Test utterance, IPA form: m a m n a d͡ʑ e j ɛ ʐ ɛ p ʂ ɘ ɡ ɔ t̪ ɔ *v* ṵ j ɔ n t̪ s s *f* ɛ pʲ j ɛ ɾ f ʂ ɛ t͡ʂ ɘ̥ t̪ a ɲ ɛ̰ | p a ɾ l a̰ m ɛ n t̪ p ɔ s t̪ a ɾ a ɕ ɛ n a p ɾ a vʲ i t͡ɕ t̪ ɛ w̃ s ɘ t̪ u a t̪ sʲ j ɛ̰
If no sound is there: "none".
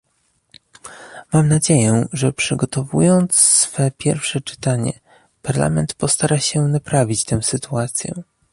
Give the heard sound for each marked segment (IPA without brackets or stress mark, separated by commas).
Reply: v, f